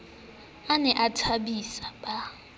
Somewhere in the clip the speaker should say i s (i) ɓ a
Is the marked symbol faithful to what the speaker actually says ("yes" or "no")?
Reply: no